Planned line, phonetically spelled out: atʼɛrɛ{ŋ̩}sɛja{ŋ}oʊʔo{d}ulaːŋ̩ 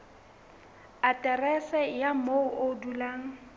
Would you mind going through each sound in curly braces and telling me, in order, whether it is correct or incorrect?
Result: incorrect: none, incorrect: m, correct

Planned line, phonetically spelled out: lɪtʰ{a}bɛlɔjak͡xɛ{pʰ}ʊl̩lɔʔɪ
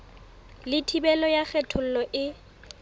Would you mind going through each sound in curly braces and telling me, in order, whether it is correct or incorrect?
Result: incorrect: i, incorrect: tʰ

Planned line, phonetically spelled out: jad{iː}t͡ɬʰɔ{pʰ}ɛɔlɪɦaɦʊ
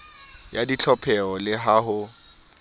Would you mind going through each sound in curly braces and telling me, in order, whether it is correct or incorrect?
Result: incorrect: i, correct

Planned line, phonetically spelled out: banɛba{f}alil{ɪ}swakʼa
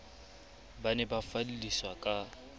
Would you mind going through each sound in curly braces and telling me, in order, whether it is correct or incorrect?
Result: correct, incorrect: i

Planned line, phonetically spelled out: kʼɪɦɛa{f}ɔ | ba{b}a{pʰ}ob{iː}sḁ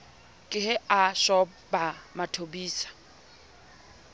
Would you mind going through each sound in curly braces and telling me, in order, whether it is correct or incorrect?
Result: incorrect: ʃ, incorrect: m, incorrect: tʰ, correct

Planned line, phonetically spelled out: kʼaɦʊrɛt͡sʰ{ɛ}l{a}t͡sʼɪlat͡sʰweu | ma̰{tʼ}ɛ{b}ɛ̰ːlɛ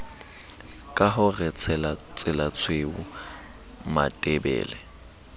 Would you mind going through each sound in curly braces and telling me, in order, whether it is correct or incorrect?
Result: correct, correct, correct, correct

